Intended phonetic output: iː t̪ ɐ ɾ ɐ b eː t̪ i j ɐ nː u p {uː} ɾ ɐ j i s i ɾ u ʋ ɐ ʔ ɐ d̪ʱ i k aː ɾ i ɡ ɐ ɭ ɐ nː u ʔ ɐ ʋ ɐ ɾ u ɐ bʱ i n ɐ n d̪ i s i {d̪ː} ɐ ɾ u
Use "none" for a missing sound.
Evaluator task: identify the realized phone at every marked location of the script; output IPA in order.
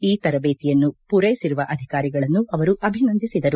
u, d̪

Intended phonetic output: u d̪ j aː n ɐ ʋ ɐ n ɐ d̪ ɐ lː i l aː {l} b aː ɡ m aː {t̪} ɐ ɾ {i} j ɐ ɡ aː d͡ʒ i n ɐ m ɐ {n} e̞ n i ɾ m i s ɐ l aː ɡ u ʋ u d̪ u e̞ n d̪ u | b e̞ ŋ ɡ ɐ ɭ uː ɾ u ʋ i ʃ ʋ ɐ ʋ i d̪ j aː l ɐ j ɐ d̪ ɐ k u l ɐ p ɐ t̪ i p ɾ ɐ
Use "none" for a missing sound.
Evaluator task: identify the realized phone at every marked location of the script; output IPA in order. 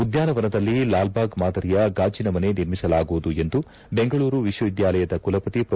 l, d̪, i, n

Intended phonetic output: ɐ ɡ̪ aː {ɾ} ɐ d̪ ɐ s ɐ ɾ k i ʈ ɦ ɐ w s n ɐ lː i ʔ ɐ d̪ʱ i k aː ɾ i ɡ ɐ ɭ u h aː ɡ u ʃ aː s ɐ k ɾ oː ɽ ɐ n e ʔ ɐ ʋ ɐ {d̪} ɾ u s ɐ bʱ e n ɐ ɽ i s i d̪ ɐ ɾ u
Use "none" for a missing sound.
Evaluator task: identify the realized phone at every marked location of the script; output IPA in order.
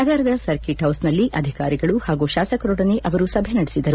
ɾ, none

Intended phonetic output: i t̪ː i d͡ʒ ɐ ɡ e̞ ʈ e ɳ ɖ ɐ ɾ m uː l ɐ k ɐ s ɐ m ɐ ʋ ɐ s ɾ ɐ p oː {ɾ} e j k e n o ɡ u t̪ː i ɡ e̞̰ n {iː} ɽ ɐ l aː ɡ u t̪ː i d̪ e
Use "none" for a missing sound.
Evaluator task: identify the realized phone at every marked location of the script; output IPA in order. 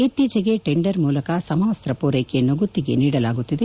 ɾ, iː

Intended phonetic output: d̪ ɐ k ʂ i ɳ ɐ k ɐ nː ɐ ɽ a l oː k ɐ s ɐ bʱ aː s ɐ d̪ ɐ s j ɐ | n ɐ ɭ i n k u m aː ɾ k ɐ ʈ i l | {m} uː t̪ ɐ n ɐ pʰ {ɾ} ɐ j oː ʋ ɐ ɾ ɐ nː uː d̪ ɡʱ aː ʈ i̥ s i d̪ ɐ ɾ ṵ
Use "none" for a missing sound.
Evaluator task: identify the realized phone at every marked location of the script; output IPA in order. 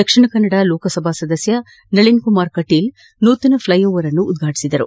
n, l

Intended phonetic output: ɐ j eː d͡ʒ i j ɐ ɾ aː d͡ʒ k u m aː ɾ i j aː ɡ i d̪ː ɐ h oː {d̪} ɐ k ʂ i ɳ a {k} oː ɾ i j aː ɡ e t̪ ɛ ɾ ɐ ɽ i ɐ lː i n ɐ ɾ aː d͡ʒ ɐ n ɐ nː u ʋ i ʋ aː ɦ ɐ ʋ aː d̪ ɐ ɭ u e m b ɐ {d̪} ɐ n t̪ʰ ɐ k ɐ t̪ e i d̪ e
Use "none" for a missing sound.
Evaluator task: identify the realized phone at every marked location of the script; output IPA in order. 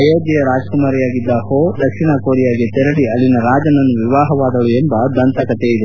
d̪, k, d̪

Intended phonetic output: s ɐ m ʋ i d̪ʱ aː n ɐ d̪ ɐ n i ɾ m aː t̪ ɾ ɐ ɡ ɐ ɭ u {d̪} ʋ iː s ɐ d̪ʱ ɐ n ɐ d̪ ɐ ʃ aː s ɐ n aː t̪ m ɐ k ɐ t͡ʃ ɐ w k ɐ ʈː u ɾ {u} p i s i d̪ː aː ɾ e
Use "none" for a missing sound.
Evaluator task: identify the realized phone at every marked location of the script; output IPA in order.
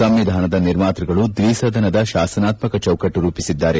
d̪, uː

